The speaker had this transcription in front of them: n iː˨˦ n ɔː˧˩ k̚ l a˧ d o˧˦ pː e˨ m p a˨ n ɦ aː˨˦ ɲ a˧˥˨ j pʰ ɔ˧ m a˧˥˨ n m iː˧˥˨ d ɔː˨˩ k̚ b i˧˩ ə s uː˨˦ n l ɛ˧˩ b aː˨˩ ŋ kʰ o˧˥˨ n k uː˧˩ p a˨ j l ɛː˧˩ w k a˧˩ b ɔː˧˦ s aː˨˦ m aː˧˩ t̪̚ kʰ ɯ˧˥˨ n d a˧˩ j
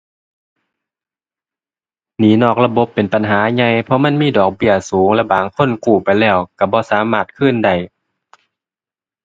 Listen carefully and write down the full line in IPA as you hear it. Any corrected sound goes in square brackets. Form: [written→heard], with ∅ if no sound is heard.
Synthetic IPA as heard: n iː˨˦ n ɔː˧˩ k̚ l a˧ [d→b] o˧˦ pː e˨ [m→n] p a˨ n ɦ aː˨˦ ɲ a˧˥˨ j pʰ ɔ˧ m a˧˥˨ n m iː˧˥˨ d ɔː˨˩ k̚ b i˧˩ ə s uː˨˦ [n→ŋ] l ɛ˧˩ b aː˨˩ ŋ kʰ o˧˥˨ n k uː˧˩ p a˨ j l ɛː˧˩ w k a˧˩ b ɔː˧˦ s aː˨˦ m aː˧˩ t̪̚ kʰ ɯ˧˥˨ n d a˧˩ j